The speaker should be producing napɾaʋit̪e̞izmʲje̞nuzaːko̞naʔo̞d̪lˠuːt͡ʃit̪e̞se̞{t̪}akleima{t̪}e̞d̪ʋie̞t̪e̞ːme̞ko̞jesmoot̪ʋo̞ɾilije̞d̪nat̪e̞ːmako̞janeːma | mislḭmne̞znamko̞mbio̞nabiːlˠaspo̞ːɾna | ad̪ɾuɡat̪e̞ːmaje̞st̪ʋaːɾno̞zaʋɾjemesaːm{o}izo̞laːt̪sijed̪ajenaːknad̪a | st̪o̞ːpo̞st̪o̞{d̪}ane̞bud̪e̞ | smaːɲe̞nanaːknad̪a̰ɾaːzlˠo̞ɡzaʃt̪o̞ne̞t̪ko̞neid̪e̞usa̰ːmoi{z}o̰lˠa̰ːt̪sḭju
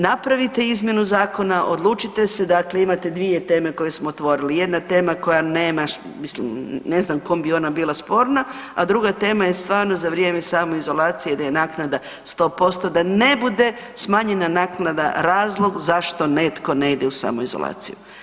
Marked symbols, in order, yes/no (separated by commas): no, yes, yes, yes, yes